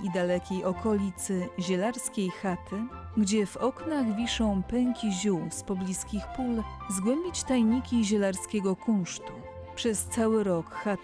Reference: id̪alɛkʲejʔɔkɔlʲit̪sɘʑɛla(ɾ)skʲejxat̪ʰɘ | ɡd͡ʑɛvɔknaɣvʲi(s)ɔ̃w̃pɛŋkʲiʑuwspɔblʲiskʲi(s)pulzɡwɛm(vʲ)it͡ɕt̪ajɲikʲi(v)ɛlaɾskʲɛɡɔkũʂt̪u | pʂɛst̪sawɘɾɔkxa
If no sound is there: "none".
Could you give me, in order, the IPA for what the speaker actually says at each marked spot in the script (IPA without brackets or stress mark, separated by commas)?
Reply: ɾ, ʂ, x, bʲ, ʑ